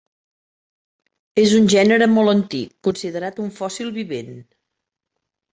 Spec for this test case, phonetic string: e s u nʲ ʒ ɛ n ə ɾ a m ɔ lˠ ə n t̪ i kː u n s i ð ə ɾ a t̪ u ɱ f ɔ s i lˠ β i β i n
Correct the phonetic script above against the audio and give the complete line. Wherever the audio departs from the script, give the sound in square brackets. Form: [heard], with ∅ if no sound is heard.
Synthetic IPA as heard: e [z] u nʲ ʒ ɛ n ə ɾ [ə] m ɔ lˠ ə n t̪ i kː u n s i ð ə ɾ a t̪ u ɱ f ɔ s i lˠ β i β [e] n